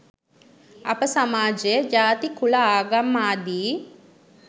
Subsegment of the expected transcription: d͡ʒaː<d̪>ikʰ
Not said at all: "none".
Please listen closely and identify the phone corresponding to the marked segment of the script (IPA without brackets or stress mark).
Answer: t̪